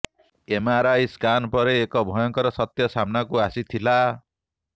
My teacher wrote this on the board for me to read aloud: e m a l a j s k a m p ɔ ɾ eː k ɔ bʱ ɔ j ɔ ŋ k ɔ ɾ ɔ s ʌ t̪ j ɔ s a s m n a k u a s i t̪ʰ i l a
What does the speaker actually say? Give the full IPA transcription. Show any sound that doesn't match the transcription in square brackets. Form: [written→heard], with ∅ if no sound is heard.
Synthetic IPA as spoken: e m a [l→ɾ] a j s k a [m→n] p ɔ ɾ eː k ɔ bʱ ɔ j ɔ ŋ k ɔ ɾ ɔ s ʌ t̪ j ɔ s a [s→∅] m n a k u a s i t̪ʰ i l a